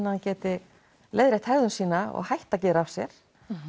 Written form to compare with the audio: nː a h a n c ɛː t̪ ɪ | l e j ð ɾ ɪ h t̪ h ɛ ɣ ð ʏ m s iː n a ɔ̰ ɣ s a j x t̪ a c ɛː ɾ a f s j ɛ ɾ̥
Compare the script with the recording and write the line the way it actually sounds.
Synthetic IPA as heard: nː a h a n c ɛː t̪ ɪ | l e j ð ɾ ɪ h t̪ h ɛ ɣ ð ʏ n s iː n a ɔ̰ ɣ h a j h t̪ a c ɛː ɾ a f s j ɛ ɾ̥